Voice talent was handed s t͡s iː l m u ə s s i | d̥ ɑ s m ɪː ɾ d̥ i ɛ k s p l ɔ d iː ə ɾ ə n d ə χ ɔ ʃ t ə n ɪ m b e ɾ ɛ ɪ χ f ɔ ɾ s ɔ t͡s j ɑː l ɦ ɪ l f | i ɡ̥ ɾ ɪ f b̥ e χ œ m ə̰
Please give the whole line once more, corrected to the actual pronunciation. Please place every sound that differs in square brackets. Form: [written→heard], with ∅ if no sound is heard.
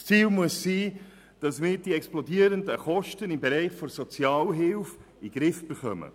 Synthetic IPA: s t͡s iː l m u ə s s [i→iː] | d̥ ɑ s m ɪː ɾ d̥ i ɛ k s p l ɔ d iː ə ɾ ə n d ə χ ɔ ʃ t ə n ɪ m b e ɾ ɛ ɪ χ f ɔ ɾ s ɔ t͡s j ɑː l ɦ ɪ l f | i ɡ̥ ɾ ɪ f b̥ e χ œ m ə̰